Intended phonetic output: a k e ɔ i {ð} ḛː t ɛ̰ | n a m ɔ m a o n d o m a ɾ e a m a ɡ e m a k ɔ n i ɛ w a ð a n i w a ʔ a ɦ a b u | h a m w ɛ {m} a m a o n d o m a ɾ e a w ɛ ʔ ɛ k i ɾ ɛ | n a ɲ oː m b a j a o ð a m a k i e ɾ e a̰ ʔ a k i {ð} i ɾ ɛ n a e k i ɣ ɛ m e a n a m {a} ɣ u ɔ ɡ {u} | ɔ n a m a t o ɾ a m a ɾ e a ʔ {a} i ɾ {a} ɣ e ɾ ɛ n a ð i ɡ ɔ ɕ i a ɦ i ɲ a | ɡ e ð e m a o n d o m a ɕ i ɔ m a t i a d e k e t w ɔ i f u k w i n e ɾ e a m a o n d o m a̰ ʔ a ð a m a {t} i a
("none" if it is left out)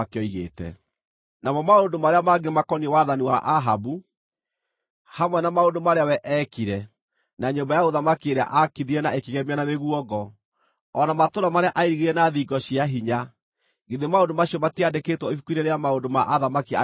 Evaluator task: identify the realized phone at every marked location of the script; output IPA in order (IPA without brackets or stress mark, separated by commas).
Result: ɣ, n, ð, e, ɔ, a, i, k